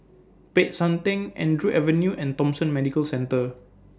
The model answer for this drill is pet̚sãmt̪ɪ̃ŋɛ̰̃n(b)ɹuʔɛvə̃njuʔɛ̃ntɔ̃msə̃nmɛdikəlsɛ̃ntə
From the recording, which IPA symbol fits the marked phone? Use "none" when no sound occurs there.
d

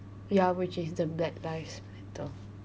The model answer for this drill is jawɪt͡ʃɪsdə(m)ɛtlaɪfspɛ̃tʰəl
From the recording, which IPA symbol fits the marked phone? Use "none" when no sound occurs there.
b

